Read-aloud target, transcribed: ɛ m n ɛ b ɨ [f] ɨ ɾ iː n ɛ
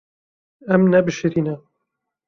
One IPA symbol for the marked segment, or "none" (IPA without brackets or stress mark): ʃ